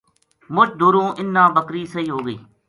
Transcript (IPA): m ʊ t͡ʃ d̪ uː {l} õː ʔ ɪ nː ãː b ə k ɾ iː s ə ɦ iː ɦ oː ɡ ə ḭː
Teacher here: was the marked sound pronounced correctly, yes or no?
no